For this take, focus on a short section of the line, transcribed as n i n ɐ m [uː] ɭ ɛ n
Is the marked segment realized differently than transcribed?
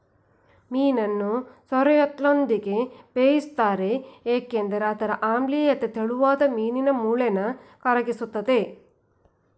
no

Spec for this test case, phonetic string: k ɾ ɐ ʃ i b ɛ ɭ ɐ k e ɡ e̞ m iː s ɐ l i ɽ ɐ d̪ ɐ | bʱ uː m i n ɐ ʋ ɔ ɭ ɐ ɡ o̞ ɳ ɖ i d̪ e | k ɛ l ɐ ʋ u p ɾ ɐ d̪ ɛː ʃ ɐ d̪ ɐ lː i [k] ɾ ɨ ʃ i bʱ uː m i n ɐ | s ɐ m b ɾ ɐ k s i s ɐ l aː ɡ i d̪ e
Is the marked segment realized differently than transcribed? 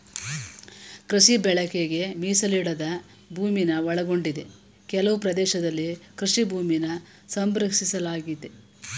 no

